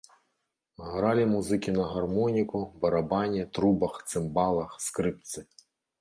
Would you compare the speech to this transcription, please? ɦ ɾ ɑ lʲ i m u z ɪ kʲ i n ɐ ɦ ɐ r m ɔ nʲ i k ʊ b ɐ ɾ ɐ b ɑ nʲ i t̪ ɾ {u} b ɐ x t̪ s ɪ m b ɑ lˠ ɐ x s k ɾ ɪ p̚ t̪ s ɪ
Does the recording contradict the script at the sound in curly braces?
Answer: no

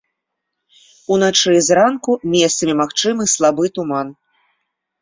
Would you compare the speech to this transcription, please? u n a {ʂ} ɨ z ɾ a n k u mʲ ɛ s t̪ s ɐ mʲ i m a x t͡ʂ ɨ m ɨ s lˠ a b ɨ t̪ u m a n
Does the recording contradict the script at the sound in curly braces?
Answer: yes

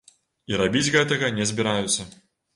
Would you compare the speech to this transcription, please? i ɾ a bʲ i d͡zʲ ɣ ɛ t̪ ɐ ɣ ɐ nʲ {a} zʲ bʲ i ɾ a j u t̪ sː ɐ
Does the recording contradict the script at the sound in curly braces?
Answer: yes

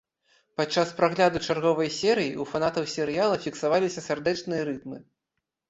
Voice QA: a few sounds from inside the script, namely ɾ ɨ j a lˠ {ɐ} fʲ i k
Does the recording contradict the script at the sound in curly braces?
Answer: no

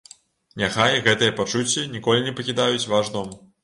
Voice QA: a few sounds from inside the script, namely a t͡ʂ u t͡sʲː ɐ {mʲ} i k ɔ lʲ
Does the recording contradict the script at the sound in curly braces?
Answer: yes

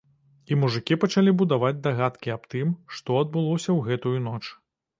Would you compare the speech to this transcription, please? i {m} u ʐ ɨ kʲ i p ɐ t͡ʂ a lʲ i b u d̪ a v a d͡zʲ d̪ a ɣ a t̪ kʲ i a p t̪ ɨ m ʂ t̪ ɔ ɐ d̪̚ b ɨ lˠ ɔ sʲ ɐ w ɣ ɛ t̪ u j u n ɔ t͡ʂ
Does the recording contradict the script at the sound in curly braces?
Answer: no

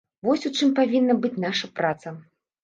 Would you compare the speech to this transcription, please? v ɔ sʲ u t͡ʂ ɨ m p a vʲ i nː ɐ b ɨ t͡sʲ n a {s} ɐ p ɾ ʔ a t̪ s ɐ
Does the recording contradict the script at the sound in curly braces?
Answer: yes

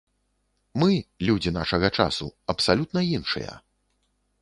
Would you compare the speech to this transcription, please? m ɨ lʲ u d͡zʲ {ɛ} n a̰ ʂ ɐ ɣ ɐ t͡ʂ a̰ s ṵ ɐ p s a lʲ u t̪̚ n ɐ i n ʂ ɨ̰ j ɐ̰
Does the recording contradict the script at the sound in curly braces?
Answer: yes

